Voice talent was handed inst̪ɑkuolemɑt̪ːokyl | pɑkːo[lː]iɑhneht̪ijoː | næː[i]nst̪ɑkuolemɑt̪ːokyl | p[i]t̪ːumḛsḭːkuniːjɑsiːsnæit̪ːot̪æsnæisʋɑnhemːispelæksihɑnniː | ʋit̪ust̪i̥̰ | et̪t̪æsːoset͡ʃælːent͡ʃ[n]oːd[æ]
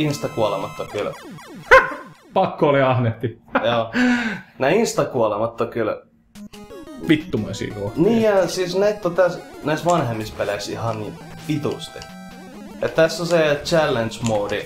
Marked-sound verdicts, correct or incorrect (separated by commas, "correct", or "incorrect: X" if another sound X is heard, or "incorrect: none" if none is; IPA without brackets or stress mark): incorrect: l, correct, correct, incorrect: m, incorrect: i